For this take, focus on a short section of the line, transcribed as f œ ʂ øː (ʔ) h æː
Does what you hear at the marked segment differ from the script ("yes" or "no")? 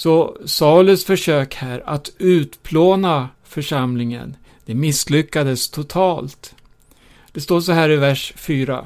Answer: yes